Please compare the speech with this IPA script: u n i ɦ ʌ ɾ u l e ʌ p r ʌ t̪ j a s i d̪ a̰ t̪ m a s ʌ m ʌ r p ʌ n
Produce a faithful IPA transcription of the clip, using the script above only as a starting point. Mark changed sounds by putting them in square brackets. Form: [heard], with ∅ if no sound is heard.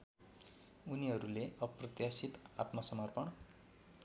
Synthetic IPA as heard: u n i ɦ ʌ ɾ u l e ʌ p r ʌ t̪ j a s i [t̪] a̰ t̪ m [ʌ] s ʌ m ʌ r p ʌ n